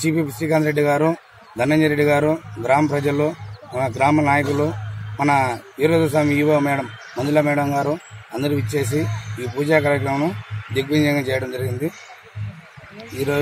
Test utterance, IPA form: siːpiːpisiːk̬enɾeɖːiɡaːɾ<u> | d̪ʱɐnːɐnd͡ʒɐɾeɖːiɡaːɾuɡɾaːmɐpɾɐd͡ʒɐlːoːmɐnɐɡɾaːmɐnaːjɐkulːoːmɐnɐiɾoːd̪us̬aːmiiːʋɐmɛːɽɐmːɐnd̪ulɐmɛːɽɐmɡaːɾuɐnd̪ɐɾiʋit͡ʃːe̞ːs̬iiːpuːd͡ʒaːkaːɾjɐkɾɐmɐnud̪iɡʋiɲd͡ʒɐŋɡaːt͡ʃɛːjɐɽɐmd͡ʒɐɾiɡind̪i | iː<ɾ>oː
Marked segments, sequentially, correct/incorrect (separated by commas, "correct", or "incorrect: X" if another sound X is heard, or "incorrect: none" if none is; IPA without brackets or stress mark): correct, correct